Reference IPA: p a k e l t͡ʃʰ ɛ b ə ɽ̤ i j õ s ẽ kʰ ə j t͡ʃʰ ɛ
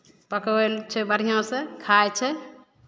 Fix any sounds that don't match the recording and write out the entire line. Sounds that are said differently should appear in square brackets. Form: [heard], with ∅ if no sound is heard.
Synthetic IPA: p [ə] k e l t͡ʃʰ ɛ b ə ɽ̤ i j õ s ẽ kʰ [a] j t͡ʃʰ ɛ